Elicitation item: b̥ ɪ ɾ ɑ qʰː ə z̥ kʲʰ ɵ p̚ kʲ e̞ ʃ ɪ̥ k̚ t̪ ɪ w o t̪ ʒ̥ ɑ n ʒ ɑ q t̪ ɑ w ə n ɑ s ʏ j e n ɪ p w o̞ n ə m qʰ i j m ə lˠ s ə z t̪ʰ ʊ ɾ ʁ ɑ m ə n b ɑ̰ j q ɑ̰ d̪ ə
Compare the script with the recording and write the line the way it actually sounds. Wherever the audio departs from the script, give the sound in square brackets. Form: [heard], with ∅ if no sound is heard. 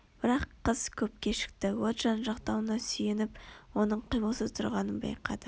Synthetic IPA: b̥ ɪ ɾ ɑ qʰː ə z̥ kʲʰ ɵ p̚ kʲ e̞ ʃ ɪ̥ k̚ t̪ ɪ w o t̪ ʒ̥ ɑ n ʒ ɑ q t̪ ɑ w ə n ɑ s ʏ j e n ɪ p w o̞ n ə [ɴ] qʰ i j m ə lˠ s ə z t̪ʰ ʊ ɾ ʁ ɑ [n] ə n b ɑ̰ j q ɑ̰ d̪ ə